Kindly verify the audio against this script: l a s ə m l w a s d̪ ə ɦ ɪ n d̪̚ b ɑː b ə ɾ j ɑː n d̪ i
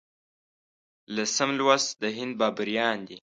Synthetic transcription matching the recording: l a s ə m l w a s d̪ ə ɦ ɪ n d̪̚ b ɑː b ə ɾ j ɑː n d̪ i